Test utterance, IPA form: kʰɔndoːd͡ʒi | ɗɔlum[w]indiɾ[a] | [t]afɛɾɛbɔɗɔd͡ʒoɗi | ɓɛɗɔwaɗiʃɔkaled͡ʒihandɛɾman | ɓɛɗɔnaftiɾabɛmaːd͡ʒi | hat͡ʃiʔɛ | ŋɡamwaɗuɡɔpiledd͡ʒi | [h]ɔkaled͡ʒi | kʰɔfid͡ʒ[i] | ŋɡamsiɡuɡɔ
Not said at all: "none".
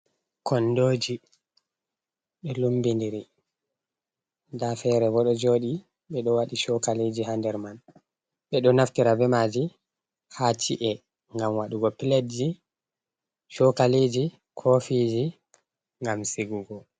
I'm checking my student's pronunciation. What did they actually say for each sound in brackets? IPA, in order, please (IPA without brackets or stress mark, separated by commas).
b, i, d, ʃ, i